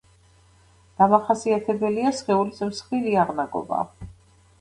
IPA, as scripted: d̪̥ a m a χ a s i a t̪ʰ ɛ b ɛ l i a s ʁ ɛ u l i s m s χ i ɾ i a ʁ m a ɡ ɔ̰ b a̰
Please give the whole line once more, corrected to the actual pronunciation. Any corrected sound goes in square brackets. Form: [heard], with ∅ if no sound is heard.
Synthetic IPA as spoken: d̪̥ a m a χ a s i a t̪ʰ ɛ b ɛ l i a s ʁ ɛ u l i s m s χ i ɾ i a ʁ [n] a ɡ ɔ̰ b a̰